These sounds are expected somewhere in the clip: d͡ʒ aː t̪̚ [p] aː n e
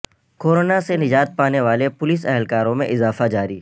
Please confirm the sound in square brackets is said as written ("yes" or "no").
yes